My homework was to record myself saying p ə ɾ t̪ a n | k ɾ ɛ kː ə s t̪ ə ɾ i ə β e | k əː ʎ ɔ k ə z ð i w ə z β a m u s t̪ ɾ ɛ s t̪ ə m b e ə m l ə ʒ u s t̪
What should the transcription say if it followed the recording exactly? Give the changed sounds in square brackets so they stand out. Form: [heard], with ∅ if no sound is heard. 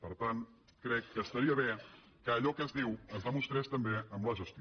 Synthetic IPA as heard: p ə ɾ t̪ a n | k ɾ ɛ kː ə s t̪ ə ɾ i ə β e | k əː ʎ ɔ k ə z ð i w ə z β a m u s t̪ ɾ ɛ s t̪ ə m b e ə m l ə ʒ u s t̪